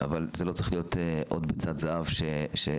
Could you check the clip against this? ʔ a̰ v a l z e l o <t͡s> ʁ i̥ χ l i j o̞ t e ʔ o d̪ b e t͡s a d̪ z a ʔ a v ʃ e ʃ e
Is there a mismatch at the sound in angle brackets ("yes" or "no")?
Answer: no